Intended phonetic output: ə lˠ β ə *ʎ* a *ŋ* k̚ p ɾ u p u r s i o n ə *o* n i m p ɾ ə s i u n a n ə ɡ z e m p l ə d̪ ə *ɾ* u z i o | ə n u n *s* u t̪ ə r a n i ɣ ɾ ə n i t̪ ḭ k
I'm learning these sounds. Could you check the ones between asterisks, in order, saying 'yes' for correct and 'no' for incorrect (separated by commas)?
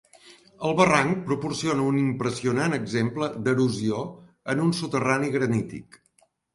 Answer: no, yes, no, yes, yes